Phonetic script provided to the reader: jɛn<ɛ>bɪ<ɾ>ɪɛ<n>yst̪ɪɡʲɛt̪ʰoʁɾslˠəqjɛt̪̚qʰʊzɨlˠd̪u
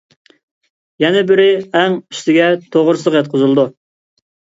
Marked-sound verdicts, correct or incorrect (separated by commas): correct, correct, incorrect